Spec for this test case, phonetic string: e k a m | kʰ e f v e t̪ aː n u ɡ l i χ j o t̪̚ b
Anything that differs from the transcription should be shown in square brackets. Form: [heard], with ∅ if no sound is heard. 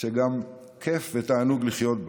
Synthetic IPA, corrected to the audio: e [ɡ] a m | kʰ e f v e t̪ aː n u ɡ l i χ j o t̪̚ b